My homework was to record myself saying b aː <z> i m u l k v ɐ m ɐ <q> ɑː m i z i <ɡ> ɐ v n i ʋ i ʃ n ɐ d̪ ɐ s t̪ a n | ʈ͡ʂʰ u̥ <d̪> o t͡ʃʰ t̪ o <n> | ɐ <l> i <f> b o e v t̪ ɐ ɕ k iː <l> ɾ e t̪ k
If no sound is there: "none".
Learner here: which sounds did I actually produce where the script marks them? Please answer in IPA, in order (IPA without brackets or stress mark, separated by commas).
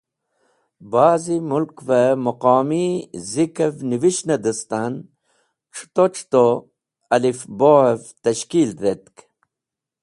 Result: z, q, k, t̪, none, l, f, l